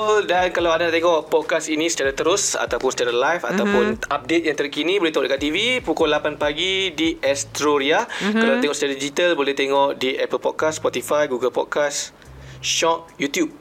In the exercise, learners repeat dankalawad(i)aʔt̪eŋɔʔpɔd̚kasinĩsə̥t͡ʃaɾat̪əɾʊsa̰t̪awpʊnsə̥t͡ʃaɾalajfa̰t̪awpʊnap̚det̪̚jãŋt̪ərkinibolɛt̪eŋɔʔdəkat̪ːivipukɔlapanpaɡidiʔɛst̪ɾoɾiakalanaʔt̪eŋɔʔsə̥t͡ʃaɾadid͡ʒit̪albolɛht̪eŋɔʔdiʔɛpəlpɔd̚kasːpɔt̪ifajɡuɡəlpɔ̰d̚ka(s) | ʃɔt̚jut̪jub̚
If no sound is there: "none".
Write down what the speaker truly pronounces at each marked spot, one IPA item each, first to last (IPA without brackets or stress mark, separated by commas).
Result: a, s